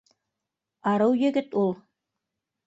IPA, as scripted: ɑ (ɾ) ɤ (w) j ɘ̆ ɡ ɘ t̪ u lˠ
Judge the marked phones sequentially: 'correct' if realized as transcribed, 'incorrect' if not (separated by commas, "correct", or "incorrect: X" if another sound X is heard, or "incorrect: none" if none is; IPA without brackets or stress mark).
correct, correct